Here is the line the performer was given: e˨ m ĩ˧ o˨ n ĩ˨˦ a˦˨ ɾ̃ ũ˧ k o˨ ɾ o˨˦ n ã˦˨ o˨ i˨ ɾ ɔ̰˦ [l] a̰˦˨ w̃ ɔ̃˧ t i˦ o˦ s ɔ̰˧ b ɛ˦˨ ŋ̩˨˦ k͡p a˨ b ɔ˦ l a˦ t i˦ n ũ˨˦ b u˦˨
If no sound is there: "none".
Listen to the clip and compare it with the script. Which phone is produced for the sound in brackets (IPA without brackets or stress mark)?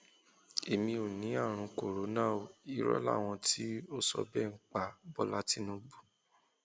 l